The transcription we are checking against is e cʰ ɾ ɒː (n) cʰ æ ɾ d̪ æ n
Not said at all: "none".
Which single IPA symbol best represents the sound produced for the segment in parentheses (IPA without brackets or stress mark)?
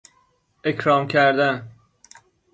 m